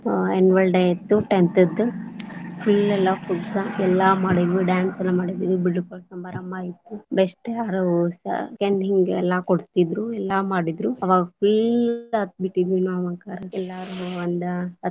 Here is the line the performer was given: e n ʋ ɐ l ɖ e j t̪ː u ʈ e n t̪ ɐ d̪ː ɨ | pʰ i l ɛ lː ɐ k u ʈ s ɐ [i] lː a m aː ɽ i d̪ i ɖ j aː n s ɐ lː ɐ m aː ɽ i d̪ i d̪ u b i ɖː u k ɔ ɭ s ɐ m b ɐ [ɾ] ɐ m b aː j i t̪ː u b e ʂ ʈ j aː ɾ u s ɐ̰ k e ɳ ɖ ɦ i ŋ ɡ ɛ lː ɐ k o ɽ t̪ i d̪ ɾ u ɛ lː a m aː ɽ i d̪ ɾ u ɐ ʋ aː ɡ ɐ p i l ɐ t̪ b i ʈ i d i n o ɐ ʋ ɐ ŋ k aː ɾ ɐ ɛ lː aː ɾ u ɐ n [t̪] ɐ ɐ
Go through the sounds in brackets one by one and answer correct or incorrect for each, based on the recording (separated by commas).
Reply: incorrect, correct, incorrect